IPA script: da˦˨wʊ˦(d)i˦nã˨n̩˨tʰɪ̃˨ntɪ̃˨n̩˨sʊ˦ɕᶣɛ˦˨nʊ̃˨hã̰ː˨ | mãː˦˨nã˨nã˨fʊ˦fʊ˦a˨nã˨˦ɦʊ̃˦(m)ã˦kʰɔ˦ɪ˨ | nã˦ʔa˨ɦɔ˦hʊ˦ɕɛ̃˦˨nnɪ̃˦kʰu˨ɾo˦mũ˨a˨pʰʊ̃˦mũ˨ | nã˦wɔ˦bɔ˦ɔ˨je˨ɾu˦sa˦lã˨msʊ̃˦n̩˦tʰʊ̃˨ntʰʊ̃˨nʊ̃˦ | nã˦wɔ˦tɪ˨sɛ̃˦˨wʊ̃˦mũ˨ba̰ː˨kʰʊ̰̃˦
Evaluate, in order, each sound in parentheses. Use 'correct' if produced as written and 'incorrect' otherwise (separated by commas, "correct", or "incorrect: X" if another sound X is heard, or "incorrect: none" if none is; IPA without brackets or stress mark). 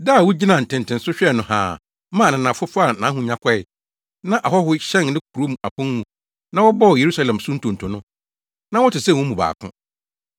incorrect: d͡ʑ, incorrect: ɲ